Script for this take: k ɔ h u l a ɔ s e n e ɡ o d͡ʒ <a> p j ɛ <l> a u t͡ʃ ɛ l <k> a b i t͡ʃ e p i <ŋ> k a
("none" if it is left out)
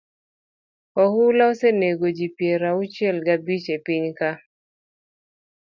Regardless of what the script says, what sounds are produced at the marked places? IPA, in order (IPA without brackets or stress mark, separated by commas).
i, ɾ, ɡ, ɲ